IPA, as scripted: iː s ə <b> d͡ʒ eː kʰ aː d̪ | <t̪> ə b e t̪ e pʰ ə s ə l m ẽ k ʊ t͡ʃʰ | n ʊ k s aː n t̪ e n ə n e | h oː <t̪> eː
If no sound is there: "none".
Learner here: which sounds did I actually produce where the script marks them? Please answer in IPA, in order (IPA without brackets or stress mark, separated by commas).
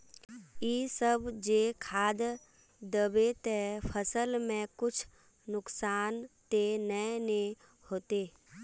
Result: b, d̪, t̪